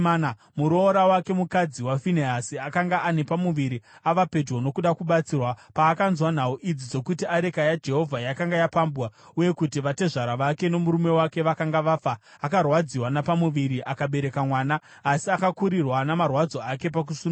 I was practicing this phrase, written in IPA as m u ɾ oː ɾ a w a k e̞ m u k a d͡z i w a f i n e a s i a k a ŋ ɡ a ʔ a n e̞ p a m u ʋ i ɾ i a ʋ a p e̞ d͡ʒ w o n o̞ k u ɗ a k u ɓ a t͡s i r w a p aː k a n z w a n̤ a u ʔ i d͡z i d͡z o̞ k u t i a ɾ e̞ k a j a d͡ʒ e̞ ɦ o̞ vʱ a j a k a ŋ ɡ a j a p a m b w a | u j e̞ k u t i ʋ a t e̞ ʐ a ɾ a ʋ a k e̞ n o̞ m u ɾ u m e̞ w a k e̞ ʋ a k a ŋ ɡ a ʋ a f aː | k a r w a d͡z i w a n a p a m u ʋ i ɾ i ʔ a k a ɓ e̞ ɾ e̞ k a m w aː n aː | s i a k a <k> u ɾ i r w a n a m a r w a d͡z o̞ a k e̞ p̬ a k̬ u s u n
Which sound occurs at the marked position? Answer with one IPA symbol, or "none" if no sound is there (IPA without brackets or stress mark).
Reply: k